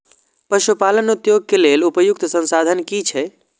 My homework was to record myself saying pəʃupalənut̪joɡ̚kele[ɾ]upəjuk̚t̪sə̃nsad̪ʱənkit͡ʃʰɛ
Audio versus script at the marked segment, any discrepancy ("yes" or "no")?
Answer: yes